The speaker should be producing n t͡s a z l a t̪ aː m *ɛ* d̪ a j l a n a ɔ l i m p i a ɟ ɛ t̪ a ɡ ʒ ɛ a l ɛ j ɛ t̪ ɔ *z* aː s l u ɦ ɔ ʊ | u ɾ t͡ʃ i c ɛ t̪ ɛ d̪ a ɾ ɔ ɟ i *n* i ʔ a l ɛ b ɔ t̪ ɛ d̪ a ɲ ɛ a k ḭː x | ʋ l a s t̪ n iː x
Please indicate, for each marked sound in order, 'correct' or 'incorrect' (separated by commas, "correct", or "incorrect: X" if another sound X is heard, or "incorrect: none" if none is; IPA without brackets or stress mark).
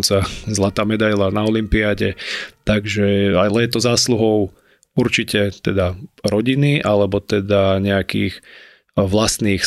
correct, correct, correct